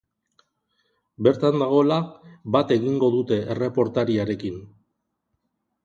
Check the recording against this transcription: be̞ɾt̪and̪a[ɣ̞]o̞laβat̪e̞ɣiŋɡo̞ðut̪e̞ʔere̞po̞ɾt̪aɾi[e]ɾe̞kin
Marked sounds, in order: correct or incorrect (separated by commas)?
correct, incorrect